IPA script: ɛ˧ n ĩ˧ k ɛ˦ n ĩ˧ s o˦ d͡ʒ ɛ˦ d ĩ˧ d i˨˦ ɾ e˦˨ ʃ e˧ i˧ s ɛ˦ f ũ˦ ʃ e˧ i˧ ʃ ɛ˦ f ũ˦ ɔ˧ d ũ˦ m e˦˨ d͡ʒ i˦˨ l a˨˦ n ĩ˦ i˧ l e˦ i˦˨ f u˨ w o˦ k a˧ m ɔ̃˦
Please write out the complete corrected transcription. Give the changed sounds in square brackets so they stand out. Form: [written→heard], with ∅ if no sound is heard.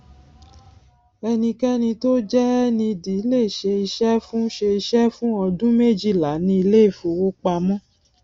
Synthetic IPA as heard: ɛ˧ n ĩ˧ k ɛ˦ n ĩ˧ [s→t] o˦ d͡ʒ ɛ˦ [d→n] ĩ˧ d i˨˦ [ɾ→l] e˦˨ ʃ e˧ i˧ [s→ʃ] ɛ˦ f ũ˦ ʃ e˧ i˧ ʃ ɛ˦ f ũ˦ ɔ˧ d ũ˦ m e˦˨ d͡ʒ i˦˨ l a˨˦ n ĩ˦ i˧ l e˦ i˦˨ f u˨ w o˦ [k→k͡p] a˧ m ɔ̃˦

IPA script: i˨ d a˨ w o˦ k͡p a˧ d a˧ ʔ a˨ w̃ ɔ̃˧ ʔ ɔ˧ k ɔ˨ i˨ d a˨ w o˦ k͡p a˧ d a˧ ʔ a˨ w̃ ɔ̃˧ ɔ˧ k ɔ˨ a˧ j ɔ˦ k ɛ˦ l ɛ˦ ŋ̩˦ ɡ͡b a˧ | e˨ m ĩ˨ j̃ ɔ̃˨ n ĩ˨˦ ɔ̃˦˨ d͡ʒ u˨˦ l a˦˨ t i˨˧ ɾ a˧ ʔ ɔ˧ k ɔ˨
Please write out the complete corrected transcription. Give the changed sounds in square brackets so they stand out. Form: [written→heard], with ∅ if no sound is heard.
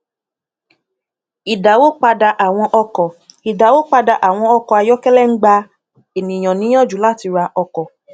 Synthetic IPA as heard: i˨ d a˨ w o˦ k͡p a˧ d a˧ ʔ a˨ w̃ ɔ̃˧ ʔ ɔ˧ k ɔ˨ i˨ d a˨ w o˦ k͡p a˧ d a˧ ʔ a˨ w̃ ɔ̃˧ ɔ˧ k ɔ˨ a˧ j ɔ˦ k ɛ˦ l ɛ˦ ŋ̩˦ ɡ͡b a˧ | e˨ [m→n] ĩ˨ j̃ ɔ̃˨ n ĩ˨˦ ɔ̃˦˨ d͡ʒ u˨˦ l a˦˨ t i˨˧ ɾ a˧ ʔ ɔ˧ k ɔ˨

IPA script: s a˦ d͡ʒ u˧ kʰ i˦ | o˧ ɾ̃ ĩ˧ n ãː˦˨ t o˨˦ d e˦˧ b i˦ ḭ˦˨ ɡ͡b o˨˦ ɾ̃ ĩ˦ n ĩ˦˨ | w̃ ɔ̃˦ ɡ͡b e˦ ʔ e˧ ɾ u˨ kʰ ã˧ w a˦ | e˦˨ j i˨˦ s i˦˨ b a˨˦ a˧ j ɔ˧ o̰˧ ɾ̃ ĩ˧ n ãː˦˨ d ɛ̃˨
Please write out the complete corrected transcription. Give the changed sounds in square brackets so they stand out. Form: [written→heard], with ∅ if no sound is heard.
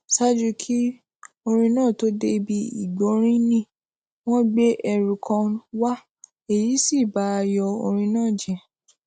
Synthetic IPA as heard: s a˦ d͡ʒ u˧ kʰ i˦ | o˧ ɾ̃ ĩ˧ n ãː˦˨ t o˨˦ d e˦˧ b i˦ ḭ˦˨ ɡ͡b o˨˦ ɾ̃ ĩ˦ n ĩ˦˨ | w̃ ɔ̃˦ ɡ͡b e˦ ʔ [e˧→ɛ˧] ɾ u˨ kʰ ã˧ w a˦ | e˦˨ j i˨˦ s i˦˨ b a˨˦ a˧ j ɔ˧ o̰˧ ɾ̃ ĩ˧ n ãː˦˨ [d→d͡ʒ] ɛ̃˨

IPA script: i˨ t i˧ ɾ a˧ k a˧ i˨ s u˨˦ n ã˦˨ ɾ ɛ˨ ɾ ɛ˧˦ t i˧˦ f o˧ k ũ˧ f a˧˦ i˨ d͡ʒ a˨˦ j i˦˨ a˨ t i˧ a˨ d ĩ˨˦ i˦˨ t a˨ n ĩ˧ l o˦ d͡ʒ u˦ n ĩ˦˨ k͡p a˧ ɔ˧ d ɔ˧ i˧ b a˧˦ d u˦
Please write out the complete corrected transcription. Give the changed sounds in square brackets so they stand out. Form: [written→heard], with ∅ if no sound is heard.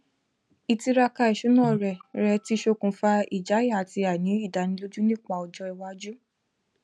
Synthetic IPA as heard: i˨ t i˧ ɾ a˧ k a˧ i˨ [s→ʃ] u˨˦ n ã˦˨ ɾ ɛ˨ ɾ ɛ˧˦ t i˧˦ [f→ʃ] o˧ k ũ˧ f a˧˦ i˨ d͡ʒ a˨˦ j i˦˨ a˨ t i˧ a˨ [d→n] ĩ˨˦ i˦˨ [t→d] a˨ n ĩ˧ l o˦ d͡ʒ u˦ n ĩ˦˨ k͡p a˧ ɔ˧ [d→d͡ʒ] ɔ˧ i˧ [b→w] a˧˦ [d→d͡ʒ] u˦

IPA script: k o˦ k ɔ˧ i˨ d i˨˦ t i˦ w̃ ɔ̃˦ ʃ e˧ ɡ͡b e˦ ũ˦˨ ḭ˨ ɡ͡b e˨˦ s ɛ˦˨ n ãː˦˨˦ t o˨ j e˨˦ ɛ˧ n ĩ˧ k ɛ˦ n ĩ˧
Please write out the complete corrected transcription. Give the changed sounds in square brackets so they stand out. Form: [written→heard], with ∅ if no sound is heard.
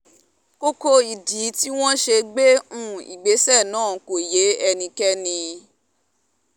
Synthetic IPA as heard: k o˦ k [ɔ˧→o˧] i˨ d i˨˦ t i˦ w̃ ɔ̃˦ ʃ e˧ ɡ͡b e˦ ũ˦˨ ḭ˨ ɡ͡b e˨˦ s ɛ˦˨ n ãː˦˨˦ [t→k] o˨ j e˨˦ ɛ˧ n ĩ˧ k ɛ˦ n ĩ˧

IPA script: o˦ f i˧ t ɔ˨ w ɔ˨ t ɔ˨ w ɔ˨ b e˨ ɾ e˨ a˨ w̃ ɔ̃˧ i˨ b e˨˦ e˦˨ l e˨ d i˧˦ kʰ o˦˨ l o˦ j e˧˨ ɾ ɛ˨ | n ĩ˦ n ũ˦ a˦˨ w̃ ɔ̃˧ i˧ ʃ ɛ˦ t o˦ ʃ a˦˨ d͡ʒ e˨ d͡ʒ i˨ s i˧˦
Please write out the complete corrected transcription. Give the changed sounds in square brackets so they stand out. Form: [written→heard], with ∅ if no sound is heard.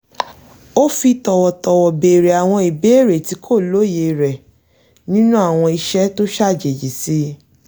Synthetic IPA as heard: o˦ f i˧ t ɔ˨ w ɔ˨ t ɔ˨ w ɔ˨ b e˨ ɾ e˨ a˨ w̃ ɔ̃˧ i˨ b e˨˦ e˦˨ [l→ɾ] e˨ [d→t] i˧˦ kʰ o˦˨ l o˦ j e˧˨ ɾ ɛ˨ | n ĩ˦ n ũ˦ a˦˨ w̃ ɔ̃˧ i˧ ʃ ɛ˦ t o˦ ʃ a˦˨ d͡ʒ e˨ d͡ʒ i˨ s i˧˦

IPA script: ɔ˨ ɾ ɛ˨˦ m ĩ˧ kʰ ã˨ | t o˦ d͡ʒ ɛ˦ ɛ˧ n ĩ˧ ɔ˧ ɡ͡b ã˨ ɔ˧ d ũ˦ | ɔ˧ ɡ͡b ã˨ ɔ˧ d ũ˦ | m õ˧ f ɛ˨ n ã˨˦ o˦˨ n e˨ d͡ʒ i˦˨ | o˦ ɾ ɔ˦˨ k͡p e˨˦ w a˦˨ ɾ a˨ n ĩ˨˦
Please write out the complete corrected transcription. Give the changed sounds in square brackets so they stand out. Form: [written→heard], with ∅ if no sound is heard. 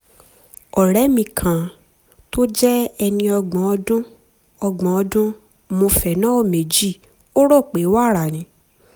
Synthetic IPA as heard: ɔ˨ ɾ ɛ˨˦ m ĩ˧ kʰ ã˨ | t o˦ d͡ʒ ɛ˦ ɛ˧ n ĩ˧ ɔ˧ ɡ͡b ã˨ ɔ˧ d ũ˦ | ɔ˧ ɡ͡b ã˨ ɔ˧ d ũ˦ | m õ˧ f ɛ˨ n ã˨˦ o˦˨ [n→m] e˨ d͡ʒ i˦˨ | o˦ ɾ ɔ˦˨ k͡p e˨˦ w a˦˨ ɾ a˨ n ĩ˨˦

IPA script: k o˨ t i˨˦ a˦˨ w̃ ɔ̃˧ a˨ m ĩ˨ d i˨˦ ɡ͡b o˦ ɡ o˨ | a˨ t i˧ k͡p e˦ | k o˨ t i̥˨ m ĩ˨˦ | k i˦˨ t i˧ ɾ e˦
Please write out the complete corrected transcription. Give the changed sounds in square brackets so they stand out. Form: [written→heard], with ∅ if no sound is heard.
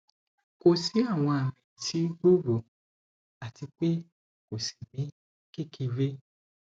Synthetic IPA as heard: k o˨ [t→s] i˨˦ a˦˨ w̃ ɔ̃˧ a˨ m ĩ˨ [d→t] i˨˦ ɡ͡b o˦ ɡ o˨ | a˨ t i˧ k͡p e˦ | k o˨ [t→s] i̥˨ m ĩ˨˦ | k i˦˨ [t→k] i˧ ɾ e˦

